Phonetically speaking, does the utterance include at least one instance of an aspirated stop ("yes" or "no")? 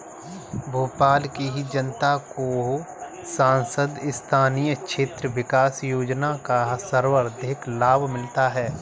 yes